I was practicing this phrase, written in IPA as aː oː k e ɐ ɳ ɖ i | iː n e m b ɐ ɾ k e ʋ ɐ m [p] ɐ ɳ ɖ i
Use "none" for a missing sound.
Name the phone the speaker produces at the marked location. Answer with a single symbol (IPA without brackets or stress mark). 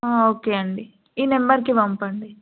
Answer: p